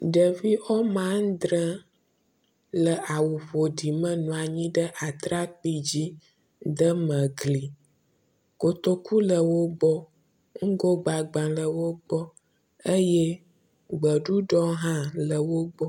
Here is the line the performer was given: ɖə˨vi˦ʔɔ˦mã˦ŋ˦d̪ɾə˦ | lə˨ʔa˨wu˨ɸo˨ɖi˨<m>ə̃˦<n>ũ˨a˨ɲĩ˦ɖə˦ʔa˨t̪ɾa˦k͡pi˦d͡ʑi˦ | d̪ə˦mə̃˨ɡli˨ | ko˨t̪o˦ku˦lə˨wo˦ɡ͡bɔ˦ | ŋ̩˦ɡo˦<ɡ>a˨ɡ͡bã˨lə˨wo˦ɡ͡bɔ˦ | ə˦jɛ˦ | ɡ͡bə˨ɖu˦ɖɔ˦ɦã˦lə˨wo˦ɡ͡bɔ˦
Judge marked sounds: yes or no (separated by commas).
yes, yes, no